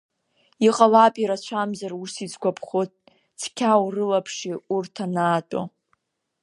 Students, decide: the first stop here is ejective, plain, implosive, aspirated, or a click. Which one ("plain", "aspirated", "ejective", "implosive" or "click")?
ejective